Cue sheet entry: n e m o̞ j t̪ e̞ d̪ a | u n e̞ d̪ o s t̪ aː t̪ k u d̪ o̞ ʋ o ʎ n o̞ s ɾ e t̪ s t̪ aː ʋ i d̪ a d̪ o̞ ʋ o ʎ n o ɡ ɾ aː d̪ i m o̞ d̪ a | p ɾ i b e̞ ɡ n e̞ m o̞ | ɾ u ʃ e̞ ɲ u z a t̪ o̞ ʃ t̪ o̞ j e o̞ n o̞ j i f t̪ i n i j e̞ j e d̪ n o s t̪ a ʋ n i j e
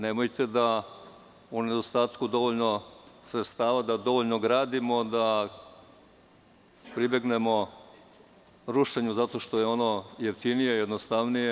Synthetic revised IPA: n e m o̞ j t̪ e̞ d̪ a | u n e̞ d̪ o s t̪ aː t̪ k u d̪ o̞ ʋ o ʎ n o̞ s ɾ e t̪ s t̪ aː ʋ a d̪ a d̪ o̞ ʋ o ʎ n o ɡ ɾ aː d̪ i m o̞ d̪ a | p ɾ i b e̞ ɡ n e̞ m o̞ | ɾ u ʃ e̞ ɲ u z a t̪ o̞ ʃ t̪ o̞ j e o̞ n o̞ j e f t̪ i n i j e̞ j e d̪ n o s t̪ a ʋ n i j e